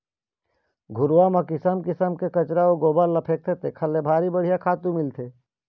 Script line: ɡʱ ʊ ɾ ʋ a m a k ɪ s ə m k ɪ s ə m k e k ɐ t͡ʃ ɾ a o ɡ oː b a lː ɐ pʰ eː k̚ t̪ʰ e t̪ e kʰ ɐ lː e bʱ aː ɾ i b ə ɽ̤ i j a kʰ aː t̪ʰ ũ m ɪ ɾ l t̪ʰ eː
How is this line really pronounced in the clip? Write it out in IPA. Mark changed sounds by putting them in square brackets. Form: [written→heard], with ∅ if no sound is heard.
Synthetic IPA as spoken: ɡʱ ʊ ɾ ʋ a m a k ɪ s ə m k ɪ s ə m k e k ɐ t͡ʃ ɾ a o ɡ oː b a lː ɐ pʰ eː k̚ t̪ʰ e t̪ e kʰ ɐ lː e bʱ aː ɾ i b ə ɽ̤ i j a kʰ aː [t̪ʰ→t̪] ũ m ɪ [ɾ→∅] l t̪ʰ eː